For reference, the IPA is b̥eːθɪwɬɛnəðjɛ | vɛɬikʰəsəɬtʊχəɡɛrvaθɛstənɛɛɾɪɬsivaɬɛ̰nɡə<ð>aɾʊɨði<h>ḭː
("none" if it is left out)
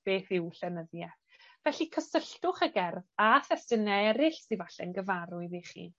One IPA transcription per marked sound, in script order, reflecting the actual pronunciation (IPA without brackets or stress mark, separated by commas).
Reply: v, χ